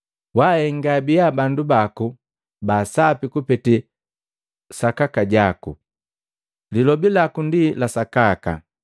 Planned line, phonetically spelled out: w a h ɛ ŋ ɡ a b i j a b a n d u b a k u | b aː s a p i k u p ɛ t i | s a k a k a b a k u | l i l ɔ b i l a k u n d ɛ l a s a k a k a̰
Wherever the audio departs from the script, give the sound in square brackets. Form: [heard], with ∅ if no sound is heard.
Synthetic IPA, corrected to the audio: w a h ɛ ŋ ɡ a b i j a b a n d u b a k u | b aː s a p i k u p ɛ t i | s a k a k a [ɟ] a k u | l i l ɔ b i l a k u n d [i] l a s a k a k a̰